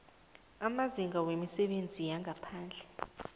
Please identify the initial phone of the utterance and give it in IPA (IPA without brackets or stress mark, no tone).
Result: a